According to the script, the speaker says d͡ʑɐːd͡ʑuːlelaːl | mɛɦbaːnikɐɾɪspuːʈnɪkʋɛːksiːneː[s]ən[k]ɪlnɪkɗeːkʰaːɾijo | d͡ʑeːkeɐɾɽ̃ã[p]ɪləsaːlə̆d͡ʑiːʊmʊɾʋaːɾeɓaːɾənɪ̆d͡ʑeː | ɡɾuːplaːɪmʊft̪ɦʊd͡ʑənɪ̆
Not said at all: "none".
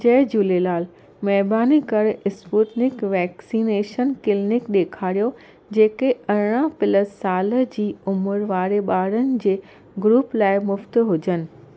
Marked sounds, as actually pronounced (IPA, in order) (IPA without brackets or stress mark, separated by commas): ʃ, k, p